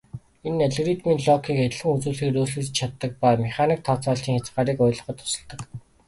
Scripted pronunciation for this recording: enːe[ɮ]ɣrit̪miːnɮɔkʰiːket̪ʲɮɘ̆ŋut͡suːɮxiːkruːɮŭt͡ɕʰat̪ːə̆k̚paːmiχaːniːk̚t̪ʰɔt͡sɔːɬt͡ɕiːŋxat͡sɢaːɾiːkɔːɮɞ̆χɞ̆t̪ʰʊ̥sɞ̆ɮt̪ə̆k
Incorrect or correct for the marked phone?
correct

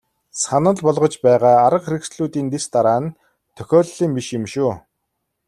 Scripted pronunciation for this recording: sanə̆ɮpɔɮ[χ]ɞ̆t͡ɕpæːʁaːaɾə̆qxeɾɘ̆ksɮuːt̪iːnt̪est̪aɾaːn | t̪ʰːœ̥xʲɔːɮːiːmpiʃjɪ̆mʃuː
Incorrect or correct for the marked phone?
incorrect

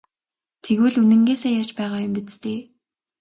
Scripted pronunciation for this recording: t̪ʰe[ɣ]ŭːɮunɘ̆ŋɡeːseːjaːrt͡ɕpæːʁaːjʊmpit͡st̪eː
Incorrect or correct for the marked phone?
correct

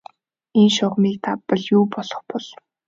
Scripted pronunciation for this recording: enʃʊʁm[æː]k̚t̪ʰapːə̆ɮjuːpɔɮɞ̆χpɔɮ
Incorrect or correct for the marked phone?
incorrect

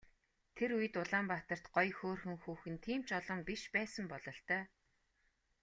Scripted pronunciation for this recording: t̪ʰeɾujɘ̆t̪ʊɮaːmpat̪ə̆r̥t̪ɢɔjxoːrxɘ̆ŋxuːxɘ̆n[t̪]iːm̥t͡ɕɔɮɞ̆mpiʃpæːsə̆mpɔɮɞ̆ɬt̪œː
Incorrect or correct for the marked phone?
incorrect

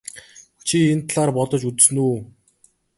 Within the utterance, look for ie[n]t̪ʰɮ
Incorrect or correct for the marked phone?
correct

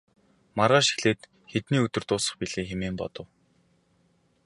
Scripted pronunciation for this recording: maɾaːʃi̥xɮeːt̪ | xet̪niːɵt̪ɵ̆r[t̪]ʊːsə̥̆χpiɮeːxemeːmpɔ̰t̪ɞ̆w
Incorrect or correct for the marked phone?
correct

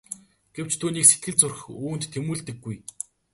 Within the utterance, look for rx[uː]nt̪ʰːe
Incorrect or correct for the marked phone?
correct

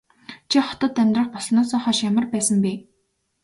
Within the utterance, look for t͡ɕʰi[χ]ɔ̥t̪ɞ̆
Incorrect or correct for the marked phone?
correct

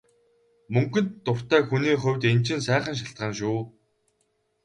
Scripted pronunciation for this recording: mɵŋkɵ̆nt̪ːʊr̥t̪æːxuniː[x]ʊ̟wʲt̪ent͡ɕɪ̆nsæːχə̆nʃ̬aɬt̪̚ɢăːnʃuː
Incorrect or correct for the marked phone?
incorrect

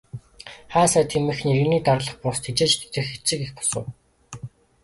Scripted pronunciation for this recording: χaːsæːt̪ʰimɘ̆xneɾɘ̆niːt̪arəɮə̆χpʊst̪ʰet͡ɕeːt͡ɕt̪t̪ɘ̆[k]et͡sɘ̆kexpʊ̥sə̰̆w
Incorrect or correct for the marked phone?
incorrect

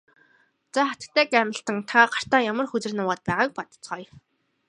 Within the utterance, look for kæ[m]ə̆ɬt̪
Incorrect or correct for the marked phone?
correct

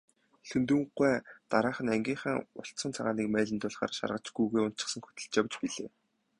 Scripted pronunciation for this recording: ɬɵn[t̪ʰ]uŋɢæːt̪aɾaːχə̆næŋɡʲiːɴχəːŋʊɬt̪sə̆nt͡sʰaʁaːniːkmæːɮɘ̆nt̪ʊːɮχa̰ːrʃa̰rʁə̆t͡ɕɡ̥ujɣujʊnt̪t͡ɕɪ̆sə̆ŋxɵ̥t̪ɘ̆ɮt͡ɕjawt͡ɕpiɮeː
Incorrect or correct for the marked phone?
incorrect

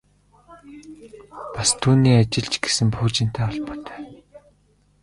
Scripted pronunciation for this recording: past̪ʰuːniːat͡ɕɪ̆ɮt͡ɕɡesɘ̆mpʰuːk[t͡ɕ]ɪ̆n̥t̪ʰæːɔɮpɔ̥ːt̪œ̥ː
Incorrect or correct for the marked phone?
correct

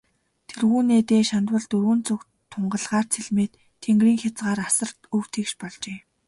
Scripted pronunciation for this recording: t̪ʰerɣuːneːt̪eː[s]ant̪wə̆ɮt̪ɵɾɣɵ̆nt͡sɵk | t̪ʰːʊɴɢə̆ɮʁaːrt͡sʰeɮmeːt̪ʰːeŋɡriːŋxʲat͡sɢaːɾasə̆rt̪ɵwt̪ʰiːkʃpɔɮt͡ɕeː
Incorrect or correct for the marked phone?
incorrect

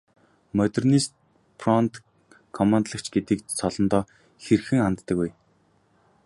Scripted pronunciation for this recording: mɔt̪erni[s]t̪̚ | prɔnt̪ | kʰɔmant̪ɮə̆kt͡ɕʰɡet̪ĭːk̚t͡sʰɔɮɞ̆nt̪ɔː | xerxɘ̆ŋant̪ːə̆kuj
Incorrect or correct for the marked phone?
correct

